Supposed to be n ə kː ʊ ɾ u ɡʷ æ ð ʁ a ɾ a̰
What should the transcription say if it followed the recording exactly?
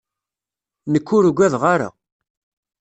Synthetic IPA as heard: n ə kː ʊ ɾ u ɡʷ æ ð ʁ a ɾ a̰